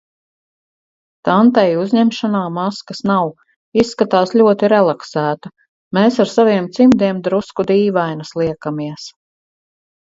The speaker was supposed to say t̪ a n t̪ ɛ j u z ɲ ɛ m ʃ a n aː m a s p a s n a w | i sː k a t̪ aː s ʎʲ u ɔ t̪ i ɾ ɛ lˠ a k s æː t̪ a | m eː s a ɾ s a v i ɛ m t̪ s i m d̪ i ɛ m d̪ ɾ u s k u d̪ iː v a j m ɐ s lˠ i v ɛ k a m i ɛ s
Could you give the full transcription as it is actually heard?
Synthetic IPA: t̪ a n t̪ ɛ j u z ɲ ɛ m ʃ a n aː m a s k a s n a w | i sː k a t̪ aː s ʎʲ u ɔ t̪ i ɾ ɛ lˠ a k s æː t̪ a | m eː s a ɾ s a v i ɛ m t̪ s i m d̪ i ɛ m d̪ ɾ u s k u d̪ iː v a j n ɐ s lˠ i ɛ k a m i ɛ s